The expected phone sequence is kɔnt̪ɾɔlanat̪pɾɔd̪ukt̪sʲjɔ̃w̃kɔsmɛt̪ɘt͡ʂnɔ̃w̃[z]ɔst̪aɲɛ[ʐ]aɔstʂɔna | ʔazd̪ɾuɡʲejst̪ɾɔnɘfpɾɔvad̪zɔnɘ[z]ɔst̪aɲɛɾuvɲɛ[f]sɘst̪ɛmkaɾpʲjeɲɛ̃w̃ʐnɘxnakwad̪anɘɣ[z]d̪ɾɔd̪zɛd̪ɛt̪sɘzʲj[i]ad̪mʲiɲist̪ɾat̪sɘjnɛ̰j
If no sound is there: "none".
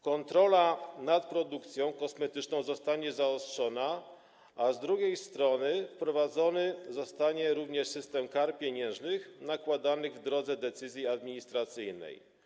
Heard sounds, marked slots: z, z, z, ʂ, v, i

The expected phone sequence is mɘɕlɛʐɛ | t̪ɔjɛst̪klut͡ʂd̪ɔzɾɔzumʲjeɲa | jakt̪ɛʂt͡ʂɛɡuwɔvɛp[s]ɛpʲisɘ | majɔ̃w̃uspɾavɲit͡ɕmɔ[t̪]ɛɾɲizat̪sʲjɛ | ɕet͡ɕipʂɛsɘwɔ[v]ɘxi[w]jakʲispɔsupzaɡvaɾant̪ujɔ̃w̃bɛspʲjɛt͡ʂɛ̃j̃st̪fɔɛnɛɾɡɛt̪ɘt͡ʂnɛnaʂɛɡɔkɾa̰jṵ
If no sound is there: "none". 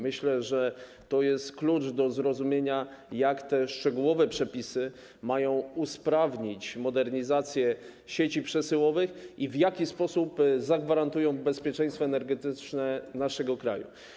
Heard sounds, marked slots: ʂ, d̪, v, v

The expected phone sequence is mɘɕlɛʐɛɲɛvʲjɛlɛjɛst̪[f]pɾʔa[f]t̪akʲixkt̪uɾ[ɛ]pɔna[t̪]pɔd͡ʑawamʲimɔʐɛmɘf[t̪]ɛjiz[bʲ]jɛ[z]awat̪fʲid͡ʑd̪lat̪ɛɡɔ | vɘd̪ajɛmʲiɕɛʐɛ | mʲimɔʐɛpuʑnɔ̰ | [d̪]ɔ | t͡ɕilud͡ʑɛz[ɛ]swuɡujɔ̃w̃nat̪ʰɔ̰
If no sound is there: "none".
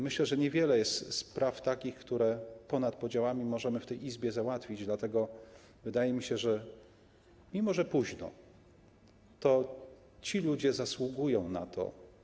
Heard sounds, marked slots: s, f, ɛ, t̪, t̪, bʲ, z, t̪, a

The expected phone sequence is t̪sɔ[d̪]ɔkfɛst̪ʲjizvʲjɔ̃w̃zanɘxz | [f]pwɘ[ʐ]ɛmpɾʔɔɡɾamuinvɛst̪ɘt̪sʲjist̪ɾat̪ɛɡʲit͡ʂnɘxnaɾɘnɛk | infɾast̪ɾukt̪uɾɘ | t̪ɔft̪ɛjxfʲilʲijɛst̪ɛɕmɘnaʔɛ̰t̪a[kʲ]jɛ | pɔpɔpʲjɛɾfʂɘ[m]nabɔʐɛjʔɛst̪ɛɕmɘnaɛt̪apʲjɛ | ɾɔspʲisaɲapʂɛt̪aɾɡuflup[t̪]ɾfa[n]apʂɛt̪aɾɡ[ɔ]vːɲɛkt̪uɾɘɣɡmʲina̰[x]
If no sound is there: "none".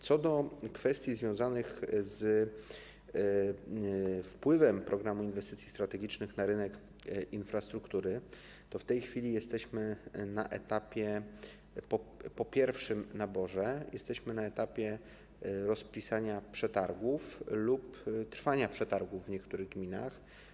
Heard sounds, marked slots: d̪, f, v, pʲ, m, t̪, ɲ, u, x

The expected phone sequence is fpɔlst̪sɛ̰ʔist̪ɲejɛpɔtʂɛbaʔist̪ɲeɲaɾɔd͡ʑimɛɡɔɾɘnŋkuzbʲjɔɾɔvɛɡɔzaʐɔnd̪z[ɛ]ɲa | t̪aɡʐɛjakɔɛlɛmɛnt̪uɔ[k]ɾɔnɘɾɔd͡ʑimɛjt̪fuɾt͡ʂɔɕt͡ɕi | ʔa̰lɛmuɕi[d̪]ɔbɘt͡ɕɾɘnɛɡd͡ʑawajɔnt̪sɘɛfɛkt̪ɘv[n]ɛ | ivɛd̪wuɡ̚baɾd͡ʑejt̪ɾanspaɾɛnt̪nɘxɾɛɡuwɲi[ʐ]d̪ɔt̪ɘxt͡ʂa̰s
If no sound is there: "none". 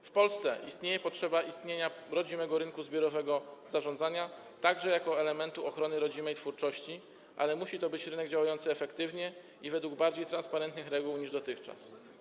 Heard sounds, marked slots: a, x, t̪, ɲ, ʐ

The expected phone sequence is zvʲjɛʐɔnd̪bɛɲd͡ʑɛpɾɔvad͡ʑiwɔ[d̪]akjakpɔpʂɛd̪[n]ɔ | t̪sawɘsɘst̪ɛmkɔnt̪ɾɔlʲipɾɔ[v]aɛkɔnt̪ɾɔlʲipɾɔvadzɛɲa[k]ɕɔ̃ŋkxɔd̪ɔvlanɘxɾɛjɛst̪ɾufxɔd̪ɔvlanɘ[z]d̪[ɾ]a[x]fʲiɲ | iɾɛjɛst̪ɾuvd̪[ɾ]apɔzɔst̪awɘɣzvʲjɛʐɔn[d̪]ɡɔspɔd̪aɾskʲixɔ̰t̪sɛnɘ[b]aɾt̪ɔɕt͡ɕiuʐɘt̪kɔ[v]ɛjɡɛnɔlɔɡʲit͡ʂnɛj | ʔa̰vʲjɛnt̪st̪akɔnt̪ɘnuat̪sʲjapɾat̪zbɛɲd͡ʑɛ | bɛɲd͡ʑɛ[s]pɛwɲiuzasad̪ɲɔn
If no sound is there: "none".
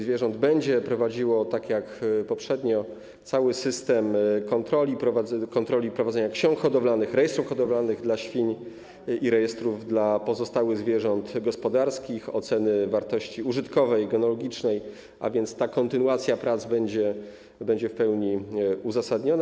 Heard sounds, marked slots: t̪, ɲ, v, k, ɣ, l, ɕ, l, t̪, v, v, f

